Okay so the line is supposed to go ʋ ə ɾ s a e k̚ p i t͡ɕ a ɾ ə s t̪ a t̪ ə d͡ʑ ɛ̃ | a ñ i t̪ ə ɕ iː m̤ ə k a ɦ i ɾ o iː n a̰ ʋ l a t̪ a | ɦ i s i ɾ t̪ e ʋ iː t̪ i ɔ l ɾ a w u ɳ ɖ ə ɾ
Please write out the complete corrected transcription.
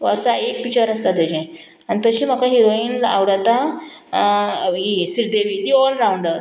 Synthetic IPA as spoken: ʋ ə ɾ s a e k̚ p i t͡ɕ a ɾ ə s t̪ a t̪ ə d͡ʑ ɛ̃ | a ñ i t̪ ə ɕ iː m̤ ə k a ɦ i ɾ o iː n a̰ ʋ ɽ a t̪ a | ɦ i s i ɾ d̪ e ʋ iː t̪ i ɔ l ɾ a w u ɳ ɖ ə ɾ